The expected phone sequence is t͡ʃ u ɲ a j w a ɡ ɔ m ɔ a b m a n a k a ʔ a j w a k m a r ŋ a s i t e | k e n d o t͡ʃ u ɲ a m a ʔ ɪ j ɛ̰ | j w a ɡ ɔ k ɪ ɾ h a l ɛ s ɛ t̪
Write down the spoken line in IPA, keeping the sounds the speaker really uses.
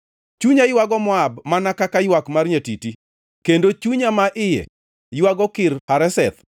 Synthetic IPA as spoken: t͡ʃ u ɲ a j w a ɡ ɔ m ɔ a b m a n a k a k a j w a k m a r ɲ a t i t i | k e n d o t͡ʃ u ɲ a m a ʔ ɪ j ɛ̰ | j w a ɡ ɔ k ɪ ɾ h a ɾ ɛ s ɛ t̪

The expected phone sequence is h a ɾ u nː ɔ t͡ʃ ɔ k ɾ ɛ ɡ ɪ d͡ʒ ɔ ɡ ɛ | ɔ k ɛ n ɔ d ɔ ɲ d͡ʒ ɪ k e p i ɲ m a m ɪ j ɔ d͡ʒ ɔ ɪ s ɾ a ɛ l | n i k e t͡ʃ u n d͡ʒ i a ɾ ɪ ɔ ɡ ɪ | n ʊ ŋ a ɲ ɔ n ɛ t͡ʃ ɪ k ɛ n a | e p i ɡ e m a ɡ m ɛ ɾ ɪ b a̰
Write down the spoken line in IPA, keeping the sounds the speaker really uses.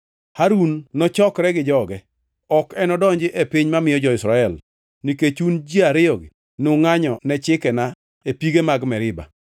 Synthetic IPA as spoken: h a ɾ u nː ɔ t͡ʃ ɔ k ɾ ɛ ɡ ɪ d͡ʒ ɔ ɡ ɛ | ɔ k ɛ n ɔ d ɔ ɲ d͡ʒ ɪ ʔ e p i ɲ m a m ɪ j ɔ d͡ʒ ɔ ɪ s ɾ a ɛ l | n i k e t͡ʃ u n d͡ʒ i a ɾ ɪ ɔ ɡ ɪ | n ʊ ŋ a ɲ ɔ n ɛ t͡ʃ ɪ k ɛ n a | e p i ɡ e m a ɡ m ɛ ɾ ɪ b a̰

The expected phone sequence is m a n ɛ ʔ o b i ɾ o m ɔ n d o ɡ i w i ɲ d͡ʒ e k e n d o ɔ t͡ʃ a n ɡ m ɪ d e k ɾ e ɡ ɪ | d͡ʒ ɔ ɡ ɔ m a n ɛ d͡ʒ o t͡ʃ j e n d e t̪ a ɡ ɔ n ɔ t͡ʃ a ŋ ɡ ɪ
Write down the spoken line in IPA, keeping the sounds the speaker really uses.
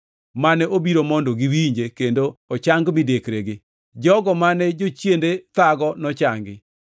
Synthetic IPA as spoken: m a n ɛ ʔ o b i ɾ o m ɔ n d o ɡ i w i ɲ d͡ʒ e k e n d o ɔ t͡ʃ a ŋ ɡ m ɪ d e k ɾ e ɡ ɪ | d͡ʒ ɔ ɡ ɔ m a n ɛ d͡ʒ o t͡ʃ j e n d e t̪ a ɡ ɔ n ɔ t͡ʃ a ŋ ɡ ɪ

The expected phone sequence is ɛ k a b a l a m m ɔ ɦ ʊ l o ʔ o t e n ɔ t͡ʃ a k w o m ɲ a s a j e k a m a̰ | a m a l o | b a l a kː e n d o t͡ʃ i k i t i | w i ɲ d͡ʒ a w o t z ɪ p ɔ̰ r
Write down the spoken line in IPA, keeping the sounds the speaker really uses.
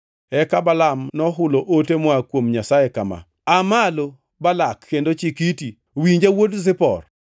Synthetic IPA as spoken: ɛ k a b a l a m n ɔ ɦ ʊ l o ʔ o t e m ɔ a k w o m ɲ a s a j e k a m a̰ | a m a l o | b a l a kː e n d o t͡ʃ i k i t i | w i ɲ d͡ʒ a w o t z ɪ p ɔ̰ r

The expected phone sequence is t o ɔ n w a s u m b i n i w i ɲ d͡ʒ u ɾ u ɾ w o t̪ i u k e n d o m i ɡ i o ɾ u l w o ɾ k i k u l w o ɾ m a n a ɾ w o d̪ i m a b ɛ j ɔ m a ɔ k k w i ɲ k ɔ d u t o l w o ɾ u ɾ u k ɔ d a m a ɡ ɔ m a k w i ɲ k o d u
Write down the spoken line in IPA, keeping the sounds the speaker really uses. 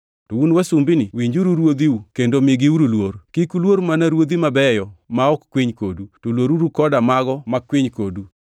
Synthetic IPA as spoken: t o u n w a s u m b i n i w i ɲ d͡ʒ u ɾ u ɾ w o d̪ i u k e n d o m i ɡ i u ɾ u l w o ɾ k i k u l w o ɾ m a n a ɾ w o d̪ i m a b ɛ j ɔ m a ɔ k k w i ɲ k o d u t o l w o ɾ u ɾ u k ɔ d a m a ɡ ɔ m a k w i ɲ k o d u

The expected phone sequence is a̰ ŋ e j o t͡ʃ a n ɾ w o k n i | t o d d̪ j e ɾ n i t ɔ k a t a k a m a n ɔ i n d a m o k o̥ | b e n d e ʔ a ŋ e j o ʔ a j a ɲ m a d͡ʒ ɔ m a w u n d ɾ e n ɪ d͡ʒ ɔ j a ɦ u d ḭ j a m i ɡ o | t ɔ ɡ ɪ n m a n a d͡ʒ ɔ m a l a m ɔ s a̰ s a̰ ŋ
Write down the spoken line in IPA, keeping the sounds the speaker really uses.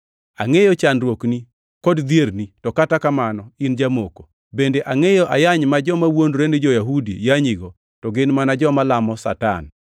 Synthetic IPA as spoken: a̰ ŋ e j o t͡ʃ a n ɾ w o k n i | k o d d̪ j e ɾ n i t ɔ k a t a k a m a n ɔ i n d͡ʒ a m o k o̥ | b e n d e ʔ a ŋ e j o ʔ a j a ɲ m a d͡ʒ ɔ m a w o n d ɾ e n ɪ d͡ʒ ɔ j a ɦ u d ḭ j a ɲ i ɡ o | t ɔ ɡ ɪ n m a n a d͡ʒ ɔ m a l a m ɔ s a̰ t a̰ n

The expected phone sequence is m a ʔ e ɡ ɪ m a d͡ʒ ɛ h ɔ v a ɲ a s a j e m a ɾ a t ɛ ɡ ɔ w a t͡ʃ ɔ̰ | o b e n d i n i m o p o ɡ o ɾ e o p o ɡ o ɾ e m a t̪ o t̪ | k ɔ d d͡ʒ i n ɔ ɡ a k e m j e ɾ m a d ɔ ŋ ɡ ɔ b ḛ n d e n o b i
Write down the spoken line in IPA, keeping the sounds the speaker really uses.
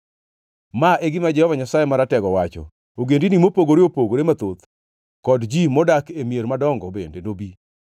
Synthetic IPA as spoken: m a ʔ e ɡ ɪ m a d͡ʒ ɛ h ɔ v a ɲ a s a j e m a ɾ a t ɛ ɡ ɔ w a t͡ʃ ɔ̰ | o ɡ e n d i n i m o p o ɡ o ɾ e o p o ɡ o ɾ e m a t̪ o t̪ | k ɔ d d͡ʒ i m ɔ d a k e m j e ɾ m a d ɔ ŋ ɡ ɔ b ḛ n d e n o b i

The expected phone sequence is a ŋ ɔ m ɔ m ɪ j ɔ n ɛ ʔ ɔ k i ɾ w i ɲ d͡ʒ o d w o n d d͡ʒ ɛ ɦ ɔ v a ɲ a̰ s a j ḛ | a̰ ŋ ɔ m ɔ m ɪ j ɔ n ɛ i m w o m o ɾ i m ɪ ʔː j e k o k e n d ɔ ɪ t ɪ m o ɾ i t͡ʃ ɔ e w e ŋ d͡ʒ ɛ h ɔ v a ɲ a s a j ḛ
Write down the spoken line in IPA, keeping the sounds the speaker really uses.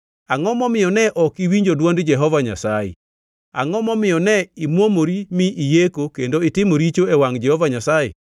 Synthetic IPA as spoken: a ŋ ɔ m ɔ m ɪ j ɔ n ɛ ʔ ɔ k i w i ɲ d͡ʒ o d w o n d d͡ʒ ɛ ɦ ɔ v a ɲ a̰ s a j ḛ | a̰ ŋ ɔ m ɔ m ɪ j ɔ n ɛ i m w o m o ɾ i m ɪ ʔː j e k o k e n d o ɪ t ɪ m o ɾ i t͡ʃ o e w a ŋ d͡ʒ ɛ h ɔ v a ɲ a s a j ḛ

